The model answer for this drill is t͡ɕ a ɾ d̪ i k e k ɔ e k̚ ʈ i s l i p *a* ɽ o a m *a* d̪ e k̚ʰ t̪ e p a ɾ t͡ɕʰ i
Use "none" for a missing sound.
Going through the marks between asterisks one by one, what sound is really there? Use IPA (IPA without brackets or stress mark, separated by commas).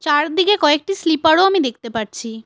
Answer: a, i